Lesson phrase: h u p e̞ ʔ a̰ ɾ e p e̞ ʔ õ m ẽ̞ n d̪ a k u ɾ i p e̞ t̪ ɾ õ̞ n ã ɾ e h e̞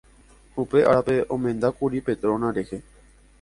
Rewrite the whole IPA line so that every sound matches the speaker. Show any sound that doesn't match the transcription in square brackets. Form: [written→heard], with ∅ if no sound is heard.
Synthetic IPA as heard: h u p e̞ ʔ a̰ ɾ [e→a] p e̞ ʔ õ m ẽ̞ n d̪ a k u ɾ i p e̞ t̪ ɾ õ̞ n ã ɾ e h e̞